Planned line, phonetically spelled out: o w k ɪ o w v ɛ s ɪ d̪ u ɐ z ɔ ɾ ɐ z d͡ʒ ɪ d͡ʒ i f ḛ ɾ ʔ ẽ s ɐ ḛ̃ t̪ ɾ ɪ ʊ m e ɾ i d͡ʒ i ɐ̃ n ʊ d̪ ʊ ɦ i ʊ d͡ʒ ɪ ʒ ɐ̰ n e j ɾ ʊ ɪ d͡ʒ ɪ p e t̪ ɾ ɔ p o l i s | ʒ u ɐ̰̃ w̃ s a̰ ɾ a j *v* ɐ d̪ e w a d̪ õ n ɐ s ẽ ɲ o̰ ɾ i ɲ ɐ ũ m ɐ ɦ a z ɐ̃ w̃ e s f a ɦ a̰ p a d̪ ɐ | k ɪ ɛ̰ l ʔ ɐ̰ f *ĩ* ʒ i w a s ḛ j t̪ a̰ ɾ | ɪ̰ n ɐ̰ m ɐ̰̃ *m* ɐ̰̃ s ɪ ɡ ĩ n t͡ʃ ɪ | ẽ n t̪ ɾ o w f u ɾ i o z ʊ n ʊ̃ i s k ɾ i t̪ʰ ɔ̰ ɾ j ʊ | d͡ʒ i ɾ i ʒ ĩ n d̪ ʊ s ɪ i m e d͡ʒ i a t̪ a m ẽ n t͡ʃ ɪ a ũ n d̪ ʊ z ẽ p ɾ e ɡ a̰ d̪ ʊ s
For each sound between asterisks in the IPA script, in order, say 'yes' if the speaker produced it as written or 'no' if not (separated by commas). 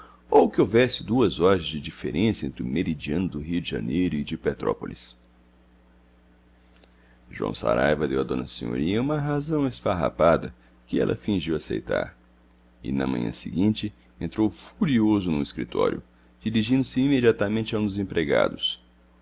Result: yes, yes, no